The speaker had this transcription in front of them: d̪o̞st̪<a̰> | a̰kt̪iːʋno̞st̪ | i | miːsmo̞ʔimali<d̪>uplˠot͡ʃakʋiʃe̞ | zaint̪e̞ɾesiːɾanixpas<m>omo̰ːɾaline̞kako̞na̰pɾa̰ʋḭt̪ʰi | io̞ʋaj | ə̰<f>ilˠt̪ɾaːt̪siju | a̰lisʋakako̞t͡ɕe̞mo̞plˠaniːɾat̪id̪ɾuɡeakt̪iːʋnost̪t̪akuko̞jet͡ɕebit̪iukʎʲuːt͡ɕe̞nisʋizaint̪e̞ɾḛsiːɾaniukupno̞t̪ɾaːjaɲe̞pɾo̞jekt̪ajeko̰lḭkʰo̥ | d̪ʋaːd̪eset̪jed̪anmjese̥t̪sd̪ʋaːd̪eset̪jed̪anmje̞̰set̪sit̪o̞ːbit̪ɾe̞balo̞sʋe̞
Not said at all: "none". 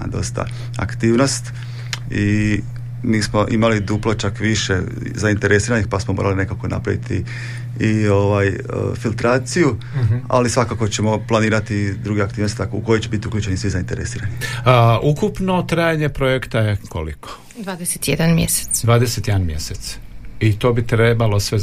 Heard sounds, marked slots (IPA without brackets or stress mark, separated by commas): a̰, d̪, m, f